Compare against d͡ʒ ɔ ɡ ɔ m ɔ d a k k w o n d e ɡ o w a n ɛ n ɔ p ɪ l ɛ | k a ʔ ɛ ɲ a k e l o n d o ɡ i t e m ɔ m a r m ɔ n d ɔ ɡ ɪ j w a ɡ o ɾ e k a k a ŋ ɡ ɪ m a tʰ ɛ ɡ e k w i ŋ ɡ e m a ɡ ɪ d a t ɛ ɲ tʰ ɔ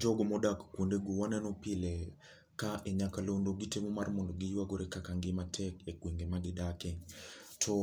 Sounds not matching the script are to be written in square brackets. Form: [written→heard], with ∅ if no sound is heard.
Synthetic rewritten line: d͡ʒ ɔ ɡ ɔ m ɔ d a k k w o n d e ɡ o w a n ɛ n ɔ p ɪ l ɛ | k a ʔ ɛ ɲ a k [e→a] l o n d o ɡ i t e m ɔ m a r m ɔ n d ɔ ɡ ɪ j w a ɡ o ɾ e k a k a ŋ ɡ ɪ m a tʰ ɛ [ɡ→k] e k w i ŋ ɡ e m a ɡ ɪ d a [t→k] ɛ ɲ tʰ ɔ